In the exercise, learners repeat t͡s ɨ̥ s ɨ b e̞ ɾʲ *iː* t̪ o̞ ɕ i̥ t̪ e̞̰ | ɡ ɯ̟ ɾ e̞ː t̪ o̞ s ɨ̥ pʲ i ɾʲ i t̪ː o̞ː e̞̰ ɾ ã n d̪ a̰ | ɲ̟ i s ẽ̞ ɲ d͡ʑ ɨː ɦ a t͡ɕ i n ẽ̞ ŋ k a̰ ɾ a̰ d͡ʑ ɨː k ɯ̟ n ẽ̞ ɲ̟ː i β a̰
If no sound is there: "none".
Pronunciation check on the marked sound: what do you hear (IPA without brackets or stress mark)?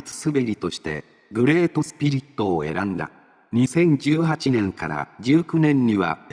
i